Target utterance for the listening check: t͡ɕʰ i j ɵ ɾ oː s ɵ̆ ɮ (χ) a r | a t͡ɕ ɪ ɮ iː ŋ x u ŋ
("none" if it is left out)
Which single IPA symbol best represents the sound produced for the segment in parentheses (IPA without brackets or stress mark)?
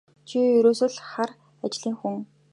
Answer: χ